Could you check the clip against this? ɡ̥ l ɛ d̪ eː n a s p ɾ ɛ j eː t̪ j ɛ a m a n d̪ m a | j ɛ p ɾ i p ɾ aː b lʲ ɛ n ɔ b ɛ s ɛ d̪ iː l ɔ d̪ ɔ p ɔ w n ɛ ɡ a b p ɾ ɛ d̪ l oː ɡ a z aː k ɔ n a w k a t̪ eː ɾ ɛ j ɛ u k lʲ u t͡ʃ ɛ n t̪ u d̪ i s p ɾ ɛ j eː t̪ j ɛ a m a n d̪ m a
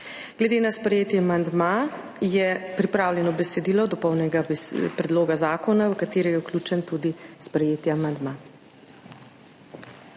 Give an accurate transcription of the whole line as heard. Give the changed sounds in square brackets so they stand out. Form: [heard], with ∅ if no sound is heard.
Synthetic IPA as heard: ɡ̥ l ɛ d̪ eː n a s p ɾ ɛ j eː t̪ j ɛ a m a n d̪ m a | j ɛ p ɾ i p ɾ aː [w] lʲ ɛ n ɔ b ɛ s ɛ d̪ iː l ɔ d̪ ɔ p ɔ w n ɛ ɡ a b p ɾ ɛ d̪ l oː ɡ a z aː k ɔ n a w k a t̪ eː ɾ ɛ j ɛ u k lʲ u t͡ʃ ɛ n t̪ u d̪ i s p ɾ ɛ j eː t̪ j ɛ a m a n d̪ m a